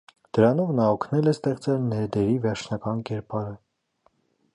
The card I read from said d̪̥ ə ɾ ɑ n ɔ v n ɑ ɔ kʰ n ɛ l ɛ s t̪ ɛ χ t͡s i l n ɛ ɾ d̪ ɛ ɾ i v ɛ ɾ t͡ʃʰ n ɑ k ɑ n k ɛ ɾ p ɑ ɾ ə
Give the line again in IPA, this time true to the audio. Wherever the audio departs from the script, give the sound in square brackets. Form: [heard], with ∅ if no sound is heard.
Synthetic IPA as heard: d̪̥ ə ɾ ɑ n ɔ v n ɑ ɔ kʰ n ɛ l ɛ s t̪ ɛ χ t͡s [ɛ] l n ɛ ɾ d̪ ɛ ɾ i v ɛ ɾ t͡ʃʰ n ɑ k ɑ n k ɛ ɾ p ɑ ɾ ə